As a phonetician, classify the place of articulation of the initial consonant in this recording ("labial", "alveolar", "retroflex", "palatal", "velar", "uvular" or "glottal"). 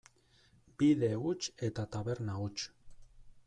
labial